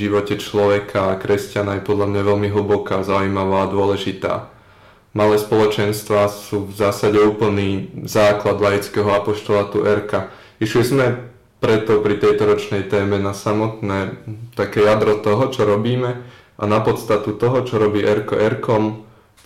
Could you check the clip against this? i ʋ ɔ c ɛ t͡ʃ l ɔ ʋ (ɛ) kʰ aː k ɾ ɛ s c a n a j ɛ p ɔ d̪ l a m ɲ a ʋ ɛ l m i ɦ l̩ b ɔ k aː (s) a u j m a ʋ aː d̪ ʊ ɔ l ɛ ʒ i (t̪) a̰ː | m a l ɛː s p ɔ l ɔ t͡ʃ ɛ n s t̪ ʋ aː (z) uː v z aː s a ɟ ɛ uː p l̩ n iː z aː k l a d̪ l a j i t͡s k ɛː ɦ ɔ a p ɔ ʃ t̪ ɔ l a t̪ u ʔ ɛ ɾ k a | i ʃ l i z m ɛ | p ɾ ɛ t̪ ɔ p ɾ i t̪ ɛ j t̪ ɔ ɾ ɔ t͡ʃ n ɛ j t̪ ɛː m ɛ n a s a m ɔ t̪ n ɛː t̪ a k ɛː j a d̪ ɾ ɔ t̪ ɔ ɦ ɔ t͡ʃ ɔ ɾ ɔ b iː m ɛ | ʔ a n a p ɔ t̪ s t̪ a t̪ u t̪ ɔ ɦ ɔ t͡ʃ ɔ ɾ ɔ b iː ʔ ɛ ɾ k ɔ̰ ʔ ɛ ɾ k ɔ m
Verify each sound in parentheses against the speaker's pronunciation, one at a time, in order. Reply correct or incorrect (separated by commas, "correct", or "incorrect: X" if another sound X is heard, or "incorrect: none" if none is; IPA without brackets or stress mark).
correct, incorrect: z, correct, incorrect: s